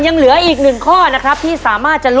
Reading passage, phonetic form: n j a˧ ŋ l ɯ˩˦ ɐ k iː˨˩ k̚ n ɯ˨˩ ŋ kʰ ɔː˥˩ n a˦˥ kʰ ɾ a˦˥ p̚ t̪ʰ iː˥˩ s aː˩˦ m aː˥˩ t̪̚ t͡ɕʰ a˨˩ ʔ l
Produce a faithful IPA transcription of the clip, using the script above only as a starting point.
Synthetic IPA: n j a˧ ŋ l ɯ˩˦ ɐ ʔ iː˨˩ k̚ n ɯ˨˩ ŋ kʰ ɔː˥˩ n a˦˥ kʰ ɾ a˦˥ p̚ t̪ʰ iː˥˩ s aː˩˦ m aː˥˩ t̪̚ t͡ɕ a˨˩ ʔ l

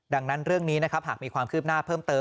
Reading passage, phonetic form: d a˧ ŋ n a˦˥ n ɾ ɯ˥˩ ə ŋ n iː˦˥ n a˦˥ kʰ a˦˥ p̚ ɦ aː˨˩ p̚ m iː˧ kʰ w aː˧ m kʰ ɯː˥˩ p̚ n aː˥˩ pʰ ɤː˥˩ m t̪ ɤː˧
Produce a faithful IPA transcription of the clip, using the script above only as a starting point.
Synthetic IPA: d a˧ ŋ n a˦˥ n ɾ ɯ˥˩ ə ŋ n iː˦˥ n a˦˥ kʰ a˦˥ p̚ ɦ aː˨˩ k̚ m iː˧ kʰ w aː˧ m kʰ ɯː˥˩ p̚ n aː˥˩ pʰ ɤː˥˩ m t̪ ɤː˧

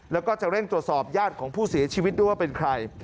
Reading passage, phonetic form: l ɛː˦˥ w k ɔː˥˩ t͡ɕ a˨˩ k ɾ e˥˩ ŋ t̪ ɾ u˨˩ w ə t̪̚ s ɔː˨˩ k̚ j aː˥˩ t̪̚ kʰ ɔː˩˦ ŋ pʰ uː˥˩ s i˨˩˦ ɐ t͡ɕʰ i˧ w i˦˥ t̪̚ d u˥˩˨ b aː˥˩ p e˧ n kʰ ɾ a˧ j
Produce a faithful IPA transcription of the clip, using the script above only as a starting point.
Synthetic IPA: l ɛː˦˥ w k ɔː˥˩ t͡ɕ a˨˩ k ɾ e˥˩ ŋ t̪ ɾ u˨˩ ə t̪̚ s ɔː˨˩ p̚ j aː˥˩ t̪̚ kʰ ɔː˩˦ ŋ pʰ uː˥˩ s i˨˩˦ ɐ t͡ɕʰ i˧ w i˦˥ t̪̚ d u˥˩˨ w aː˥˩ p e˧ n kʰ ɾ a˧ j

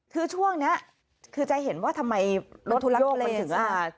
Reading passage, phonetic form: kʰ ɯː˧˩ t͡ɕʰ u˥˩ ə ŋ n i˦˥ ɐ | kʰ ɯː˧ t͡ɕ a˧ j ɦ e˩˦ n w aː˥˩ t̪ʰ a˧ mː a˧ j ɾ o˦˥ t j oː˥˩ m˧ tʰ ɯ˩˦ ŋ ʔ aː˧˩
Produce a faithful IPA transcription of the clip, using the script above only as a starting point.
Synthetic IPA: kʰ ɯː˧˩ t͡ɕʰ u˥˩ ə ŋ n i˦˥ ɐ | kʰ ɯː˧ t͡ɕ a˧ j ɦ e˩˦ n w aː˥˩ t̪ʰ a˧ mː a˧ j ɾ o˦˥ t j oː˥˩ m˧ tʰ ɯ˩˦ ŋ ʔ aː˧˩

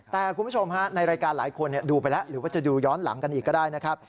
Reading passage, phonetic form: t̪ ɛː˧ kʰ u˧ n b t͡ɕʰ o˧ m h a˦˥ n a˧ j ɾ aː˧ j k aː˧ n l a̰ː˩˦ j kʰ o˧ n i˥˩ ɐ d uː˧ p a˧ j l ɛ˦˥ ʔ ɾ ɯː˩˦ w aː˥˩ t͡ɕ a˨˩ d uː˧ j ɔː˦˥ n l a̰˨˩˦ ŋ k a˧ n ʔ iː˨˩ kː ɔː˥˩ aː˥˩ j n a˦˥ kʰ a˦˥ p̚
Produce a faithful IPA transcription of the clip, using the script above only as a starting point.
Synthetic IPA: t̪ ɛː˨˩ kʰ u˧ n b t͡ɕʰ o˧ m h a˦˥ n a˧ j ɾ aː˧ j k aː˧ n l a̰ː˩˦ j kʰ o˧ n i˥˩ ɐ d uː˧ p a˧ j l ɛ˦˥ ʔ ɾ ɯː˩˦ w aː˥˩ t͡ɕ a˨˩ d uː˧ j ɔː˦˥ n l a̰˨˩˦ ŋ k a˧ n ʔ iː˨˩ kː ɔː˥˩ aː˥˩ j n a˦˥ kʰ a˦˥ p̚

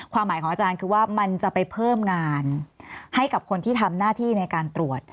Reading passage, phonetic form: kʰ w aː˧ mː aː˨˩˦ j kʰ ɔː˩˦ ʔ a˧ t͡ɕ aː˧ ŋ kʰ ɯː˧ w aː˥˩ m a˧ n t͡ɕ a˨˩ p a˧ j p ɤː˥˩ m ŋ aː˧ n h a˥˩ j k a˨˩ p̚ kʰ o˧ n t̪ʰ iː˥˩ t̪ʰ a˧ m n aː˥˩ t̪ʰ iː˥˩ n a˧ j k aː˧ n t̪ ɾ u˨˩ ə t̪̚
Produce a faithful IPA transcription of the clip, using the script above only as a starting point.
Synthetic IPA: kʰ w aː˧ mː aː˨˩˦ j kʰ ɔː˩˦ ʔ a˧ t͡ɕ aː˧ n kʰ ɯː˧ w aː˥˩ m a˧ n t͡ɕ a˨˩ p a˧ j pʰ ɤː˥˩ m ŋ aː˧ n h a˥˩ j k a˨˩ p̚ kʰ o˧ n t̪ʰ iː˥˩ t̪ʰ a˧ m n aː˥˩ t̪ʰ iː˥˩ n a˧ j k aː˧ n t̪ ɾ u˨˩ ə t̪̚

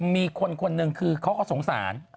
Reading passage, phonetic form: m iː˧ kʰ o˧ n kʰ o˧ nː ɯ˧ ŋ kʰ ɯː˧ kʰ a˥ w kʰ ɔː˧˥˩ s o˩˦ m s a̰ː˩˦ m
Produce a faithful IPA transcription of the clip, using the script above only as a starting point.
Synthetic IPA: m iː˧ kʰ o˧ n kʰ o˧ nː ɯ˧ ŋ kʰ ɯː˧ kʰ a˥ w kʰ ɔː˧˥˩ s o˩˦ ŋ s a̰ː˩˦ n

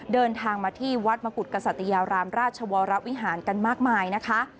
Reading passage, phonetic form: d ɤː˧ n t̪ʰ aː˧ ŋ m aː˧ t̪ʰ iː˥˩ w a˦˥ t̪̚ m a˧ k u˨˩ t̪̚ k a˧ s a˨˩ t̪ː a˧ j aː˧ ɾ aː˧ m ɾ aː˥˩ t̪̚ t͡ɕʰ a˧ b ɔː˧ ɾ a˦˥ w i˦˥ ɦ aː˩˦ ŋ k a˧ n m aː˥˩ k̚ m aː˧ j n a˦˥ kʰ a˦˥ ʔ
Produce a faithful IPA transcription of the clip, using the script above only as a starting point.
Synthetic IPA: d ɤː˧ n t̪ʰ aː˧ ŋ m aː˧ t̪ʰ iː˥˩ w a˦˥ t̪̚ m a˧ k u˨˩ t̪̚ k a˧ s a˨˩ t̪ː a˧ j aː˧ ɾ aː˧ m ɾ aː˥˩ t̪̚ t͡ɕʰ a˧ w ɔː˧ ɾ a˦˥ w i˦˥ ɦ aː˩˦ n k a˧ n m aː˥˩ k̚ m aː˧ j n a˦˥ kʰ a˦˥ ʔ

